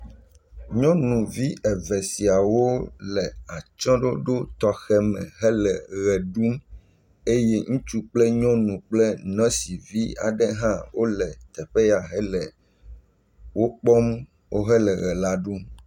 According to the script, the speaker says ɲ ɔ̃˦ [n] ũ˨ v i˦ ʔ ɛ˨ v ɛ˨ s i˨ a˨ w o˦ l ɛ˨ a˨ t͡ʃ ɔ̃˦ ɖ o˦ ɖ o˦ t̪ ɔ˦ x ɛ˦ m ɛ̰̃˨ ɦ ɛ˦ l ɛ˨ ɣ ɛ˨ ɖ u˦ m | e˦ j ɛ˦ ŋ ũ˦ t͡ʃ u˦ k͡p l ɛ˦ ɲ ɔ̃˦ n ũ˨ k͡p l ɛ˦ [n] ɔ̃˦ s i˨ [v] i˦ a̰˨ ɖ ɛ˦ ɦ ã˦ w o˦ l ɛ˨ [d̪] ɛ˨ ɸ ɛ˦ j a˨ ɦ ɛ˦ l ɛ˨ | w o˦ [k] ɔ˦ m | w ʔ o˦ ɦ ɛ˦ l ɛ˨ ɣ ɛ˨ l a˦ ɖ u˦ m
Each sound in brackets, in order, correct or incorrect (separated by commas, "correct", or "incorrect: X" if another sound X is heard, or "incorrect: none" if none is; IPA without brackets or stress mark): correct, correct, correct, incorrect: t̪, incorrect: k͡p